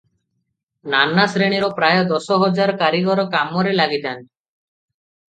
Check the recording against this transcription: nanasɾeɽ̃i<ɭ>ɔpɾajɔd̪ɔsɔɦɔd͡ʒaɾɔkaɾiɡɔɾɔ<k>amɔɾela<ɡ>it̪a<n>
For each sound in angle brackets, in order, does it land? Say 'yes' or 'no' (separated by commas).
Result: no, yes, yes, yes